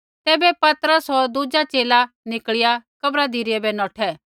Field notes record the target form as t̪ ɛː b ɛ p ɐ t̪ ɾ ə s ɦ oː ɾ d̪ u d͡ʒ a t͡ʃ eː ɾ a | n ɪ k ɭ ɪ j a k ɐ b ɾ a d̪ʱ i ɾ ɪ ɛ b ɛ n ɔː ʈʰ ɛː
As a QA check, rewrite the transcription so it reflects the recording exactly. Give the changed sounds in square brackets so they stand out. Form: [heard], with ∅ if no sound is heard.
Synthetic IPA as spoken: t̪ ɛː b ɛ p ɐ t̪ ɾ ə s ɦ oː ɾ d̪ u d͡ʒ a t͡ʃ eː [l] a | n ɪ k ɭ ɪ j a k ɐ b ɾ a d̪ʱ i ɾ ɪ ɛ b ɛ n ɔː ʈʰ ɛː